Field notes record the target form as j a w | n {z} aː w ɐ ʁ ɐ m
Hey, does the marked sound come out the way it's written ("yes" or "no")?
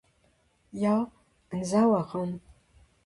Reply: yes